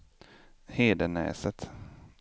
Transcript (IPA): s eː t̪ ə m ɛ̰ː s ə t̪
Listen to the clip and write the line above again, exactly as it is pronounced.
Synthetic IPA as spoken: h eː d̪ ə n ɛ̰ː s ə t̪